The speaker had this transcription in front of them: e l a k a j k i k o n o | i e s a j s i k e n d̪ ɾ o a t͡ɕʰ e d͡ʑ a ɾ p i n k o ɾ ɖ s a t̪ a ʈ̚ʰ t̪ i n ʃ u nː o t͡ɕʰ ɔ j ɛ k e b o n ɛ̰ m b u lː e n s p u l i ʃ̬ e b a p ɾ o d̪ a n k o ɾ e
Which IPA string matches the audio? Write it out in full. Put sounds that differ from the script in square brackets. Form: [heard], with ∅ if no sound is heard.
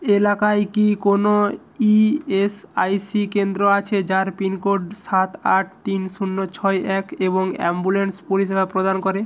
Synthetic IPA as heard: e l a k a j k i k o n o | i e s a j s i k e n d̪ ɾ o a t͡ɕʰ e d͡ʑ a ɾ p i n k o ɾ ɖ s a t̪ a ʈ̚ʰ t̪ i n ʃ u nː o t͡ɕʰ ɔ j ɛ k e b o [ŋ] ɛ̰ m b u [l] e n s p u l i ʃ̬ e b a p ɾ o d̪ a n k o ɾ e